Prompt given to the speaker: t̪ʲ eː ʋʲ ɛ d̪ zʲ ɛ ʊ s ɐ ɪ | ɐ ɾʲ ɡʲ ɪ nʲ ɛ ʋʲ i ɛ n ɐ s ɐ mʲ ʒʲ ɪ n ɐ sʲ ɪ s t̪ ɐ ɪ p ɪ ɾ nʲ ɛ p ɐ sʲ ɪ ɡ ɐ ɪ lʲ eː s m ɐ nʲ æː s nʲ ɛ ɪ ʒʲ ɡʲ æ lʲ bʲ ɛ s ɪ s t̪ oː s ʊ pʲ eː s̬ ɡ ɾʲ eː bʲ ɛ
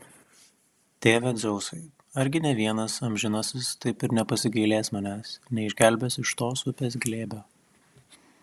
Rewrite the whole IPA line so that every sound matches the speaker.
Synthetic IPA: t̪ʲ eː ʋʲ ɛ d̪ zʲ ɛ ʊ s ɐ ɪ | ɐ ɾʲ ɡʲ ɪ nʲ ɛ ʋʲ i ɛ n ɐ s ɐ mʲ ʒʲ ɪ n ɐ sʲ ɪ s t̪ ɐ ɪ p ɪ ɾ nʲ ɛ p ɐ sʲ ɪ ɡ ɐ ɪ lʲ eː s m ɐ nʲ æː s nʲ ɛ ɪ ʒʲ ɡʲ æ lʲ bʲ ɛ s ɪ ʃ t̪ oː s ʊ pʲ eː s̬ ɡ lʲ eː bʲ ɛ